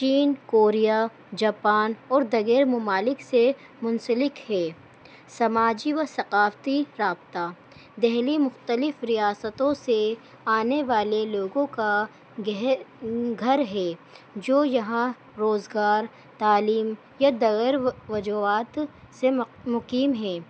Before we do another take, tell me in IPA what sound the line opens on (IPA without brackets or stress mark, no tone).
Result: t͡ʃ